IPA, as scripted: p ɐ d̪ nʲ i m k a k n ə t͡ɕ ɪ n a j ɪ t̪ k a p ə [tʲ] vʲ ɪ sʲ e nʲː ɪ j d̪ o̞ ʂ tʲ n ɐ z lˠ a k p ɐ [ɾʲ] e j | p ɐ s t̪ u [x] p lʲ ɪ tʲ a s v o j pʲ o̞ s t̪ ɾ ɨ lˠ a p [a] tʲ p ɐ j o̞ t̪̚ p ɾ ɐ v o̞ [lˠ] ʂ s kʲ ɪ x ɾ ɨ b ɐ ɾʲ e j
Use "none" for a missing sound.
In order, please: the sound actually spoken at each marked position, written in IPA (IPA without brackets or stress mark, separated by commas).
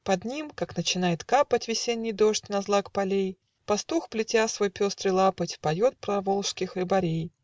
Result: tʲ, lʲ, x, ə, lˠ